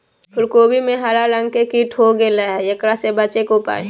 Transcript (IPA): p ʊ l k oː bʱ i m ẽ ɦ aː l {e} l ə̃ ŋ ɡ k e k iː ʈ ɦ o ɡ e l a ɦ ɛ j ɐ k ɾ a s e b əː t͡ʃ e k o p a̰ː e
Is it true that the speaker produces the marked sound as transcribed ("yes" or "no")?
no